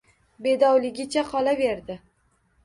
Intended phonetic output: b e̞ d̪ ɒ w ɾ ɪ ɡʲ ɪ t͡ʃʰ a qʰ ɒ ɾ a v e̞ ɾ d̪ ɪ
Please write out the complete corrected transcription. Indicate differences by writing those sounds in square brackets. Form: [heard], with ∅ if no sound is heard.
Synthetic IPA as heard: b e̞ d̪ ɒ w [l] ɪ ɡʲ ɪ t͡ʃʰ a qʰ ɒ [l] a v e̞ ɾ d̪ ɪ